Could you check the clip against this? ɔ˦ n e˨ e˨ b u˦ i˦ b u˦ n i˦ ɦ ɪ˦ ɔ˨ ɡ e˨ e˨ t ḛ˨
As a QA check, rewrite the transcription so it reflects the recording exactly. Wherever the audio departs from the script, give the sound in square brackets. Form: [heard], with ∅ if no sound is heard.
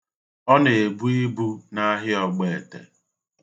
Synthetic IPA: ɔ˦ n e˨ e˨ b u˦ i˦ b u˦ n [a˦] ɦ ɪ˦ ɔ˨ [ɡ͡b] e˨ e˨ t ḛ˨